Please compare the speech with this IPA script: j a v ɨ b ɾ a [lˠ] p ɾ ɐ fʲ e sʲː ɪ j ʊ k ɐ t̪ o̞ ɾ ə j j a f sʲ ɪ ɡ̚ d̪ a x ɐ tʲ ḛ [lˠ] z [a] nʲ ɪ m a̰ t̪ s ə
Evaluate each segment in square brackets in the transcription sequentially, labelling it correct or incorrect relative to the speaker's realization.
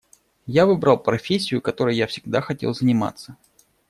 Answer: correct, correct, incorrect: ə

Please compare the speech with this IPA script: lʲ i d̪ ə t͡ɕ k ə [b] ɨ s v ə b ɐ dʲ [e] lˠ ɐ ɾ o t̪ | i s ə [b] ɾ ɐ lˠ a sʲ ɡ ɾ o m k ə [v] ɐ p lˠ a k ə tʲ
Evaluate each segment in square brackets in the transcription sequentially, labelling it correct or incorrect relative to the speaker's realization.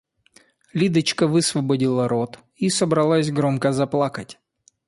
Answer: incorrect: v, incorrect: i, correct, incorrect: z

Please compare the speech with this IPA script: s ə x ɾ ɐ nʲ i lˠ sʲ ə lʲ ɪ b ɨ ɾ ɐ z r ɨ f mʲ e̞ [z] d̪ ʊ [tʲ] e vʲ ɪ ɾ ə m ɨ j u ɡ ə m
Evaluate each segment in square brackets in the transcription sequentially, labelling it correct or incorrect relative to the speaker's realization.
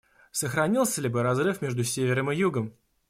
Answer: incorrect: ʐ, incorrect: sʲ

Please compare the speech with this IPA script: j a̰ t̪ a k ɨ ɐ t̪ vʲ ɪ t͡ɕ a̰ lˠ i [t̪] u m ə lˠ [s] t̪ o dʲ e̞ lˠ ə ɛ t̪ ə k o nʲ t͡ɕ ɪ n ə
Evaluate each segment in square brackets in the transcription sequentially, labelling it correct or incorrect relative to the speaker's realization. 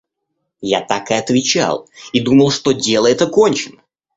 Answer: incorrect: d̪, incorrect: ʂ

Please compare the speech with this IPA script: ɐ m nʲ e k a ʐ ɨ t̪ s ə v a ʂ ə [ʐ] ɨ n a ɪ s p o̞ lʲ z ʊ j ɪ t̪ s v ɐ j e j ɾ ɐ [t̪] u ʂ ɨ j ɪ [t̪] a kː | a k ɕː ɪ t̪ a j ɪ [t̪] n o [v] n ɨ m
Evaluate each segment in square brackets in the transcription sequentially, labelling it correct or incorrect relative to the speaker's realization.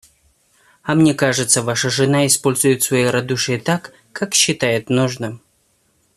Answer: correct, incorrect: d̪, correct, correct, incorrect: ʐ

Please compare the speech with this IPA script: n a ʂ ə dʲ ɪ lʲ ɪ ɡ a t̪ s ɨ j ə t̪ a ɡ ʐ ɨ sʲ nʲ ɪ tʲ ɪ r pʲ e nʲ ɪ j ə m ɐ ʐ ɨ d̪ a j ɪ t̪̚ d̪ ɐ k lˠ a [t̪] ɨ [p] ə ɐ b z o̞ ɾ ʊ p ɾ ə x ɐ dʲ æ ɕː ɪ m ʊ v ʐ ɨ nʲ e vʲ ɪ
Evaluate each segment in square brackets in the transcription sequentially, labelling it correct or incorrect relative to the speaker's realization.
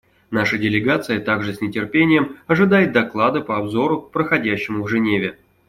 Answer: incorrect: d̪, correct

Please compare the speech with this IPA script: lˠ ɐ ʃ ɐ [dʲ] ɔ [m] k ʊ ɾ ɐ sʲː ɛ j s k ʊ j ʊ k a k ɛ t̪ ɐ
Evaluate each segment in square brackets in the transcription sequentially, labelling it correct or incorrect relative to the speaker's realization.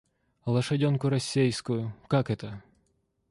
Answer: correct, incorrect: n

